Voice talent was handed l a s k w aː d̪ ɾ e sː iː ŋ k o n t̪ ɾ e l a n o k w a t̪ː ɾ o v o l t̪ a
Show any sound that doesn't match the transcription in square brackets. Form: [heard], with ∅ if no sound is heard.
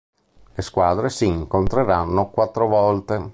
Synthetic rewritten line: l [e] s k w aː d̪ ɾ e [s] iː ŋ k o n t̪ ɾ e [ɾ] a [nː] o k w a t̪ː ɾ o v [ɔ] l t̪ [e]

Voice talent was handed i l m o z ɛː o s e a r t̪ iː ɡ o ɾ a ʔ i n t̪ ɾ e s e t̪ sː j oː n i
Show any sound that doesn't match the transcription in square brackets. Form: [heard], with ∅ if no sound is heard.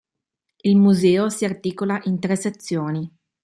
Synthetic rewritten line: i l m [u] z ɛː o s [i] a r t̪ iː [k] o [l] a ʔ i n t̪ ɾ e s e t̪ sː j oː n i

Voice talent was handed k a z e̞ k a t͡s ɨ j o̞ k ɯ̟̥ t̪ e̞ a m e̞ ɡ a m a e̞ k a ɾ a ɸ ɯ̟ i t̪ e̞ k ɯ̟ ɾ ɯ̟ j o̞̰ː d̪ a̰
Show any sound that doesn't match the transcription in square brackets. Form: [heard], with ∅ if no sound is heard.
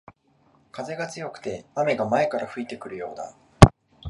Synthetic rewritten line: k a z e̞ [ɡ] a t͡s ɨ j o̞ k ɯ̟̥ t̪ e̞ a m e̞ ɡ a m a e̞ k a ɾ a ɸ ɯ̟ i t̪ e̞ k ɯ̟ ɾ ɯ̟ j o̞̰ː d̪ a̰

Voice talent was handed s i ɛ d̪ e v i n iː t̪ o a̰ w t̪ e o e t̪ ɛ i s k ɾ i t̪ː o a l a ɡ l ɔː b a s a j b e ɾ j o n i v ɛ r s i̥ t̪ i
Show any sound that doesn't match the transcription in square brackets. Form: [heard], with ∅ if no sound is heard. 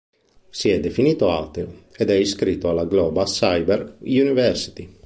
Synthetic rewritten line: s i ɛ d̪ e [f] i n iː t̪ o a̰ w t̪ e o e [d̪] ɛ i s k ɾ i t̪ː o a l a ɡ l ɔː b a s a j b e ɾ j [u] n i v ɛ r s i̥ t̪ i

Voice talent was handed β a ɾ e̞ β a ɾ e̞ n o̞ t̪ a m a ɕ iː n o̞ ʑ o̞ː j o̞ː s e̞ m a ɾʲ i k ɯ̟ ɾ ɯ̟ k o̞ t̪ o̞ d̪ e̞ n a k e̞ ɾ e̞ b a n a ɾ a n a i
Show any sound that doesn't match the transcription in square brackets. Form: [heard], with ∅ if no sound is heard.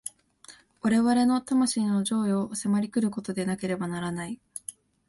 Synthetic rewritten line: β a ɾ e̞ β a ɾ e̞ n o̞ t̪ a m a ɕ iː n o̞ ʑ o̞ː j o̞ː s e̞ m a ɾʲ i k ɯ̟ ɾ ɯ̟ k o̞ t̪ o̞ d̪ e̞ n a k e̞ ɾ e̞ b a n a ɾ a n a i

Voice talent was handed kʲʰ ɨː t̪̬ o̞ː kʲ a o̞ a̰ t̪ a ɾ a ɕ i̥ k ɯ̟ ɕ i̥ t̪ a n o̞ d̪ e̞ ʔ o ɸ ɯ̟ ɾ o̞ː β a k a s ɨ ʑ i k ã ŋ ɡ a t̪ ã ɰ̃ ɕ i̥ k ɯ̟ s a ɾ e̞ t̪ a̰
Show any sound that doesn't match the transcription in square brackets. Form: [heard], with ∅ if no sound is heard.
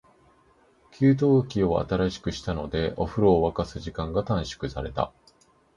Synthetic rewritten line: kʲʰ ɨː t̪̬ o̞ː kʲ [i] o̞ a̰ t̪ a ɾ a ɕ i̥ k ɯ̟ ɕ i̥ t̪ a n o̞ d̪ e̞ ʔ o ɸ ɯ̟ ɾ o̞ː β a k a s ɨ ʑ i k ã ŋ ɡ a t̪ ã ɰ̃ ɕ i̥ k ɯ̟ s a ɾ e̞ t̪ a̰

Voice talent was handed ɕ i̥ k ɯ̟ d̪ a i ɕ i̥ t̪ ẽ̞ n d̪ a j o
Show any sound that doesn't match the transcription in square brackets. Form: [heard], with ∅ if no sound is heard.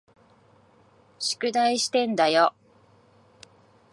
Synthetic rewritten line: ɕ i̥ k ɯ̟ d̪ a i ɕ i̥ t̪ ẽ̞ n d̪ a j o

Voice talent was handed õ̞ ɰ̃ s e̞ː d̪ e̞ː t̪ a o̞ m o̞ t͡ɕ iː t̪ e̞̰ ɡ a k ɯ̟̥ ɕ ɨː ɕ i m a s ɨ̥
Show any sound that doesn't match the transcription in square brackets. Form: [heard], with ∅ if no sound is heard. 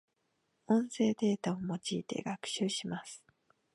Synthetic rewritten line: õ̞ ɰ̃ s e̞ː d̪ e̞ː t̪ a o̞ m o̞ t͡ɕ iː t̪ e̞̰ ɡ a k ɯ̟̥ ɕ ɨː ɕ i m a s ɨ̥

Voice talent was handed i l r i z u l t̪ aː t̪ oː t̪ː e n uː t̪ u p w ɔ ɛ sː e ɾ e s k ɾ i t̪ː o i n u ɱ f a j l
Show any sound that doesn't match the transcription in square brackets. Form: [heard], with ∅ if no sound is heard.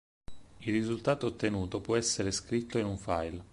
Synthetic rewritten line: i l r i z u l t̪ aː t̪ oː t̪ː e n uː t̪ [o] p w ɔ ɛ sː e ɾ e s k ɾ i t̪ː o i n u ɱ f a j l

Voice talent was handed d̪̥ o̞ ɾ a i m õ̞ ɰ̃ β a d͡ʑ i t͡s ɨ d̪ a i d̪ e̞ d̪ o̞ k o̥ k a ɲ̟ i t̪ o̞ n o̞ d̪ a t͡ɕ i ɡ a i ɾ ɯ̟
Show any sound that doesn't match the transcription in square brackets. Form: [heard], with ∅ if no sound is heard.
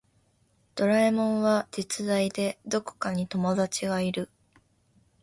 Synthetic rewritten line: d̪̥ o̞ ɾ a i m õ̞ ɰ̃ β a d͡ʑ i t͡s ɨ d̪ a i d̪ e̞ d̪ o̞ k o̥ k a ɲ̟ i t̪ o̞ [m] o̞ d̪ a t͡ɕ i ɡ a i ɾ ɯ̟

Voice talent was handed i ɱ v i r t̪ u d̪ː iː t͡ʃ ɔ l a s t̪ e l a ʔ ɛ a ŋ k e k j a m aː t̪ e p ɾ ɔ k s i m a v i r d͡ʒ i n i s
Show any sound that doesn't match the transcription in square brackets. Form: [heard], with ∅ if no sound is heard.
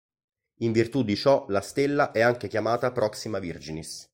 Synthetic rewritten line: i ɱ v i r t̪ u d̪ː [i] t͡ʃ ɔ l a s t̪ e [lː] a ʔ ɛ a ŋ k e k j a m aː t̪ [a] p ɾ ɔ k s i m a v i r d͡ʒ i n i s

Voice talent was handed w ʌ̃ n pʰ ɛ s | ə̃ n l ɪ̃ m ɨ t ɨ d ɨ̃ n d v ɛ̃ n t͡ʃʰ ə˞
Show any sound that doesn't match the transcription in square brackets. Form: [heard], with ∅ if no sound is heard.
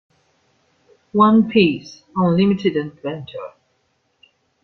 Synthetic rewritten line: w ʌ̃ n pʰ [i] s | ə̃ n l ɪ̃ m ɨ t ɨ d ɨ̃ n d v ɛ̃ n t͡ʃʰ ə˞

